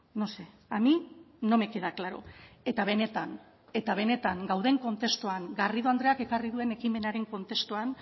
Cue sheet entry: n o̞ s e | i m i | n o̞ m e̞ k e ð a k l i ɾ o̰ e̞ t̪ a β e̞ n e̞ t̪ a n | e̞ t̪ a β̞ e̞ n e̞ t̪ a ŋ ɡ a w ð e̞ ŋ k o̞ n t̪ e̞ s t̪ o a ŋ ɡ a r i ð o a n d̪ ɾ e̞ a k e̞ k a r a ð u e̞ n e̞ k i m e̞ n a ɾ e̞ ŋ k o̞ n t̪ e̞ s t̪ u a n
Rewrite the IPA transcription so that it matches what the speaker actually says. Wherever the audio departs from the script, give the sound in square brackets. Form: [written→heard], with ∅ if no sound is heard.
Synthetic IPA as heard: n o̞ s e | [i→a] m i | n o̞ m e̞ k e ð a k l [i→a] ɾ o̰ e̞ t̪ a β e̞ n e̞ t̪ a n | e̞ t̪ a β̞ e̞ n e̞ t̪ a ŋ ɡ a w ð e̞ ŋ k o̞ n t̪ e̞ s t̪ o a ŋ ɡ a r i ð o a n d̪ ɾ e̞ a k e̞ k a r [a→i] ð u e̞ n e̞ k i m e̞ n a ɾ e̞ ŋ k o̞ n t̪ e̞ s t̪ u a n